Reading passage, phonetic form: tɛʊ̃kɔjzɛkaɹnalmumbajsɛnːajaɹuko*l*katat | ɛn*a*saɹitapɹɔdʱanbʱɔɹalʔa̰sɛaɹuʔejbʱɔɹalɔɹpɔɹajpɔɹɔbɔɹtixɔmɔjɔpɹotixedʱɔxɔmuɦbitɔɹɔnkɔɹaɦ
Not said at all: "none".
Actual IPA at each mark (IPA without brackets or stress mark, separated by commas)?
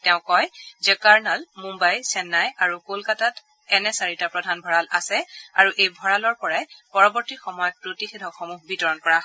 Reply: l, ɛ